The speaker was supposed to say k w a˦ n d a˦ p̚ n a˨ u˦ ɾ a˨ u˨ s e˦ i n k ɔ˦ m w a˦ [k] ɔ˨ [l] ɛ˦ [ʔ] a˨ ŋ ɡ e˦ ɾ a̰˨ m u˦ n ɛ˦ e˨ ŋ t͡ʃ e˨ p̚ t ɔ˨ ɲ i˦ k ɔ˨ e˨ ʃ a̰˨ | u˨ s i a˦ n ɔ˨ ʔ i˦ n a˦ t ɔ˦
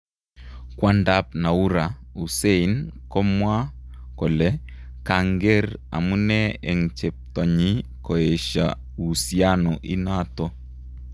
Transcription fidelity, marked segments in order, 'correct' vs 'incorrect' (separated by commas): correct, correct, incorrect